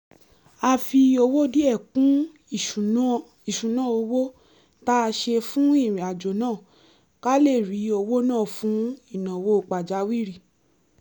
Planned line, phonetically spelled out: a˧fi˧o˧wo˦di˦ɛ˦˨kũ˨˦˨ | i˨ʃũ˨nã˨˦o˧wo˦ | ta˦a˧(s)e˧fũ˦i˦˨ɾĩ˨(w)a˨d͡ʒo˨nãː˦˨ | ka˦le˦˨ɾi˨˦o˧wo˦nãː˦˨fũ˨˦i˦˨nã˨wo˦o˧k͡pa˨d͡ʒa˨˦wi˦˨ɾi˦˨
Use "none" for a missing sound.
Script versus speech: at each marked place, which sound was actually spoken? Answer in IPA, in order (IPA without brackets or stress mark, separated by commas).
ʃ, none